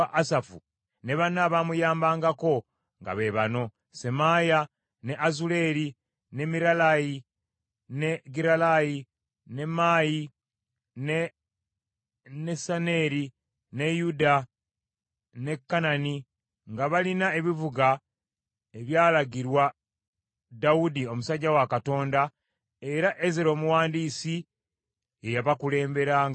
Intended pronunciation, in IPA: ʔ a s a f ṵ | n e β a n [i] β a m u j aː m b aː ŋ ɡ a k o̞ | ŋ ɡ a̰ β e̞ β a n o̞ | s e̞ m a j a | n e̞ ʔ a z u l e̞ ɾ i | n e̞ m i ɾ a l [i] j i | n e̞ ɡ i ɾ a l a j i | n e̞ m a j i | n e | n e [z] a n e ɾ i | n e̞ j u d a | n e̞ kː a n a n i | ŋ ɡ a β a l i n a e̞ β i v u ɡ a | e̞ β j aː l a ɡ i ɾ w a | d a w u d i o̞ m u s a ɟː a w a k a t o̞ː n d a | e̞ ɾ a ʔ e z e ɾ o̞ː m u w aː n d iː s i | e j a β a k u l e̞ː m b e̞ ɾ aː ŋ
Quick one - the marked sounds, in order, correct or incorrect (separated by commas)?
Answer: incorrect, incorrect, incorrect